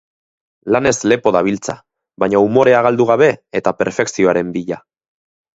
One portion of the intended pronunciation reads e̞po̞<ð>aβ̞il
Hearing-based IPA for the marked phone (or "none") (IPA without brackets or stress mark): ð